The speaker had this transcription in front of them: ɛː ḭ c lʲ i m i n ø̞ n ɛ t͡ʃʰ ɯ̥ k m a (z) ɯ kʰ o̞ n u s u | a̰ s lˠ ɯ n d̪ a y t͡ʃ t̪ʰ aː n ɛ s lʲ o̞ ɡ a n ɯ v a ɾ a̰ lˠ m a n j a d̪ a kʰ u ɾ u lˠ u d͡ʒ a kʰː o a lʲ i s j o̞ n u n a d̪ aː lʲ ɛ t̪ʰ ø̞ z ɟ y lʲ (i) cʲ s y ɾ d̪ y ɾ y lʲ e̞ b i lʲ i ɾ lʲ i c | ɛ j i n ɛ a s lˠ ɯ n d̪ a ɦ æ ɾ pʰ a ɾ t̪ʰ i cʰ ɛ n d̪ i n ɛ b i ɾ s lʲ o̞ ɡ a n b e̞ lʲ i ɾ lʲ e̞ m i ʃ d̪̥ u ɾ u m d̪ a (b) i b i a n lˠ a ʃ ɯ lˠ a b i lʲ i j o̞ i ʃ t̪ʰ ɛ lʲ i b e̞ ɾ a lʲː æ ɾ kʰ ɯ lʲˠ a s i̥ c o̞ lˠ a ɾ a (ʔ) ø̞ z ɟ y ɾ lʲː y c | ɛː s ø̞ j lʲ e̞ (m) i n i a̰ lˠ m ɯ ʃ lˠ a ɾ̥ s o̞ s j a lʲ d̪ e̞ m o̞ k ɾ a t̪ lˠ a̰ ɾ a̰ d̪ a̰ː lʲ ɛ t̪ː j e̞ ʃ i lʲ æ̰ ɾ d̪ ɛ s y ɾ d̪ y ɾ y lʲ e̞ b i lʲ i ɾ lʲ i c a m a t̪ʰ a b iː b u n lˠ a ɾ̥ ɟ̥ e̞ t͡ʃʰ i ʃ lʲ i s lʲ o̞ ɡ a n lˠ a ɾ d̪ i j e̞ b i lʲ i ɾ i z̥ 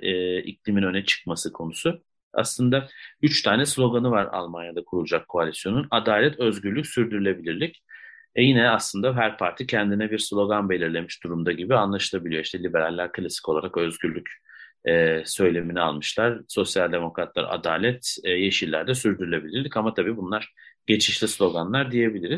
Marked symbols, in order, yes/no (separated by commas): no, no, no, no, yes